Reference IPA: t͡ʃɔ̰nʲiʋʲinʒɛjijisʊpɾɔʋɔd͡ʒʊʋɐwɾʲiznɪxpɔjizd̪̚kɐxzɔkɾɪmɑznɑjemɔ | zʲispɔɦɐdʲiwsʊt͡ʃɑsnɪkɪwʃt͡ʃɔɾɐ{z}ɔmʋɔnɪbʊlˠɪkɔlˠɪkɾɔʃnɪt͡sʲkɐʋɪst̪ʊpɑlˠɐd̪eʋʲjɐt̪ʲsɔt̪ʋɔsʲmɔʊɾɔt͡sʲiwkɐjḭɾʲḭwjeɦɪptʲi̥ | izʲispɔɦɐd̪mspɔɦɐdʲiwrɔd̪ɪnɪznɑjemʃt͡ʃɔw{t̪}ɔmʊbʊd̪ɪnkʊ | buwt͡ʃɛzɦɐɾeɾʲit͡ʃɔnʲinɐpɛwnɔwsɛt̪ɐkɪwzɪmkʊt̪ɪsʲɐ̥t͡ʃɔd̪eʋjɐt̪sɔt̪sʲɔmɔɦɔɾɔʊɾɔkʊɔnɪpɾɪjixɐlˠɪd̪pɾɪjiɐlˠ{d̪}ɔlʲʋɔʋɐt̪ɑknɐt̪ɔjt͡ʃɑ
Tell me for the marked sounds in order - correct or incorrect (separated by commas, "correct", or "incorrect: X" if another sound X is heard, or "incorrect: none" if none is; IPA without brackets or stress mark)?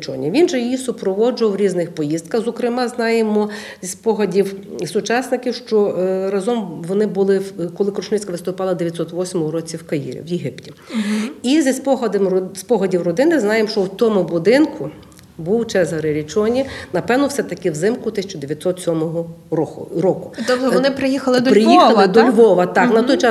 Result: correct, correct, correct